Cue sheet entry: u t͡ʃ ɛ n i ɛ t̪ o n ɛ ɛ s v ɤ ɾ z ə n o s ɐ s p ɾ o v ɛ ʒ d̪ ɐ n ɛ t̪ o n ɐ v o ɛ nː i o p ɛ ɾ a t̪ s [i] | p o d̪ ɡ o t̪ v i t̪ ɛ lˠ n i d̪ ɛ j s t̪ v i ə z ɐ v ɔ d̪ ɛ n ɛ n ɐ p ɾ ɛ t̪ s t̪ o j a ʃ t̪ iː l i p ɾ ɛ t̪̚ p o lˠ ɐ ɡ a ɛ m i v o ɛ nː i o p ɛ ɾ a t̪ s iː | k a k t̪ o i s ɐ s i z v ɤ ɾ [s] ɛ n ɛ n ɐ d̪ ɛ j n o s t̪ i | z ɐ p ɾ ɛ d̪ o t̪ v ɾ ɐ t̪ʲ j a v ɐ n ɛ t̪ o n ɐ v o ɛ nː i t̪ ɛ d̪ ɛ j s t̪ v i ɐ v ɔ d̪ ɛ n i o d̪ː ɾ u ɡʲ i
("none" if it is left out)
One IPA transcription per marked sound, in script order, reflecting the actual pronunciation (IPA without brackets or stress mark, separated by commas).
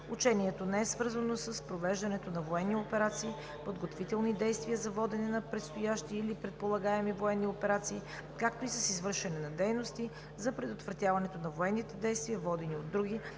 iː, ʃ